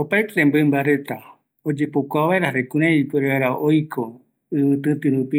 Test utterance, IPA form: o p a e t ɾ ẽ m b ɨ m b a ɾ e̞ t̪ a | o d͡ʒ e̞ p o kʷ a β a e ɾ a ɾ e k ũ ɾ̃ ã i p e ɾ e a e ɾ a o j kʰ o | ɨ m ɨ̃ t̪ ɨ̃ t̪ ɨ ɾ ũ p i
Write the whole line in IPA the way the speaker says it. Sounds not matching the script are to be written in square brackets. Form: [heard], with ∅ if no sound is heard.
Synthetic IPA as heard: o p a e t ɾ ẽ m b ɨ m b a ɾ e̞ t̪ a | o d͡ʒ e̞ p o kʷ a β a e ɾ a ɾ e k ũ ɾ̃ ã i p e ɾ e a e ɾ a o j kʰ o | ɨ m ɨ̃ t̪ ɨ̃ t̪ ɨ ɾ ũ p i